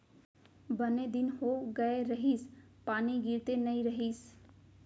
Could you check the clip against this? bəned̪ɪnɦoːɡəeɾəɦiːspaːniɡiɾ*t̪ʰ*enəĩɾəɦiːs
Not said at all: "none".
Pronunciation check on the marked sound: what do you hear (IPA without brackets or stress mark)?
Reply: t̪